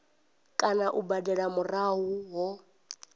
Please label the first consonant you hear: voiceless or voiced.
voiceless